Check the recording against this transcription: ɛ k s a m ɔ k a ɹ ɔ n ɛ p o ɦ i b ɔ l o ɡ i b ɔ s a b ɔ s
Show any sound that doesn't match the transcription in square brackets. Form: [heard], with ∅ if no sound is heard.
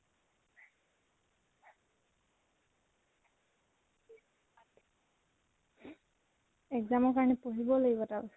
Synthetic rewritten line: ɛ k [z] a m ɔ k a ɹ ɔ n ɛ p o ɦ i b ɔ l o ɡ i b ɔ [t] a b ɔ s